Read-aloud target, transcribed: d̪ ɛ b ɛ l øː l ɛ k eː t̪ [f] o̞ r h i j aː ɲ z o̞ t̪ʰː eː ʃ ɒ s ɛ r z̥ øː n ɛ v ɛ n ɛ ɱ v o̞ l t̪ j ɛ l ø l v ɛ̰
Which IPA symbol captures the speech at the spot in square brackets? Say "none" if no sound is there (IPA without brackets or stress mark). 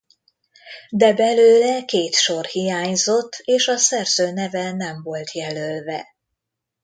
ʃ